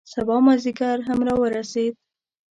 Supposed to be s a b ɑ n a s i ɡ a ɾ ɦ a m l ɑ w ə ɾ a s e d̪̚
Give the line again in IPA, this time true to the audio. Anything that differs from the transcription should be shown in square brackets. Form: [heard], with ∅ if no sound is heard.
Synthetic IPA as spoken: s a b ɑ [m] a [z] i ɡ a ɾ ɦ a m [ɾ] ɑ w ə ɾ a s e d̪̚